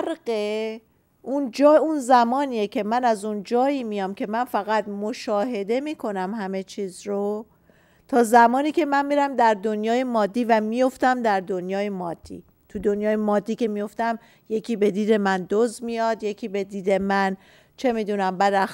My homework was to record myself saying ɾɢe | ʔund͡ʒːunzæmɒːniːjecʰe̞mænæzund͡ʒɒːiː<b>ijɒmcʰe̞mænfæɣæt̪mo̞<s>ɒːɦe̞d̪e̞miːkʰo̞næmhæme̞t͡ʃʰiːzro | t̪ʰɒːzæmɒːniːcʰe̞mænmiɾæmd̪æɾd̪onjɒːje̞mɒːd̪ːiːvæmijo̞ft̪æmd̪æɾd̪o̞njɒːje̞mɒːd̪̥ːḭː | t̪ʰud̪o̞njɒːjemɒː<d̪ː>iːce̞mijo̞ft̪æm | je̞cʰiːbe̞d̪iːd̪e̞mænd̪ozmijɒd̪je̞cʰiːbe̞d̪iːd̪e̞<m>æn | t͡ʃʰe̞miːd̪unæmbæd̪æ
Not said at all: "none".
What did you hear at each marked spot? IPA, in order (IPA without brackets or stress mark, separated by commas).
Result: m, ʃ, d̪ː, m